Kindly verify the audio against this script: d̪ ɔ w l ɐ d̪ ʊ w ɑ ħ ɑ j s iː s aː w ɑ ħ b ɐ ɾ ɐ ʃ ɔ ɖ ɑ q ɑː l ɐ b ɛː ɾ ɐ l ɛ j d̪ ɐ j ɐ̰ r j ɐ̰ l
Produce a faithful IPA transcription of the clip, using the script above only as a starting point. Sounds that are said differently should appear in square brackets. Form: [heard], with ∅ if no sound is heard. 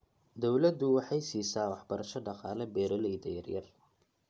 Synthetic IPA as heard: d̪ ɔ w l ɐ d̪ ʊ w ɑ ħ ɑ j s iː s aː w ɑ ħ b ɐ ɾ ɐ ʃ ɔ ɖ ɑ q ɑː l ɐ b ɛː ɾ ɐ l ɛ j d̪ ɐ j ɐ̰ r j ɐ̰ [r]